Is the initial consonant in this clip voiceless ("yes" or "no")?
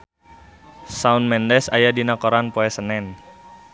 yes